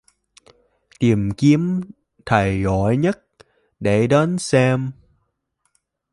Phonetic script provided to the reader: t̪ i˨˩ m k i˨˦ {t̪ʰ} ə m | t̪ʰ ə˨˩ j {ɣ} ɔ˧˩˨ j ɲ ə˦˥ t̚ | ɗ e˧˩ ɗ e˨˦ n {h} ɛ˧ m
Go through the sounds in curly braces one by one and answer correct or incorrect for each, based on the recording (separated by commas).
incorrect, correct, incorrect